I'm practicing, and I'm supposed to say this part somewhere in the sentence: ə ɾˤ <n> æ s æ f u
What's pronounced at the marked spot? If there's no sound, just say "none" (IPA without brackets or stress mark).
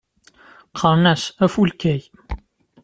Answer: n